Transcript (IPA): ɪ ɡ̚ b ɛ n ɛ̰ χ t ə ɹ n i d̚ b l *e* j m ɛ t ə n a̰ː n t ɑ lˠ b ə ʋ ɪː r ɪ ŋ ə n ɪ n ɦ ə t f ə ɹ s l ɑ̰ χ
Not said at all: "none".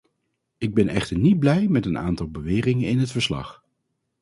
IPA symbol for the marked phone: ɛ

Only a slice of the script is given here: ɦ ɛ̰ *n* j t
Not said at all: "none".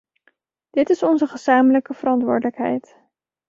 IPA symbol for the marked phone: none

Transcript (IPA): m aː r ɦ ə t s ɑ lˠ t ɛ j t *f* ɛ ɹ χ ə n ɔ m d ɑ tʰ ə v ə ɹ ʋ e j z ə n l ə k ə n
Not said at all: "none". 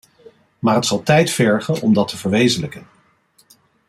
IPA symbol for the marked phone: f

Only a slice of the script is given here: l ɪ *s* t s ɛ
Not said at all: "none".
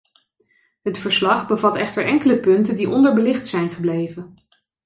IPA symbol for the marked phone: χ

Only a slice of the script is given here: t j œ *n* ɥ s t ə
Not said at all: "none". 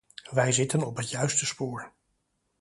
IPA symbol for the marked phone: none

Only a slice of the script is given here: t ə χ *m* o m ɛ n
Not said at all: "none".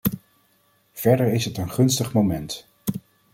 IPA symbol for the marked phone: m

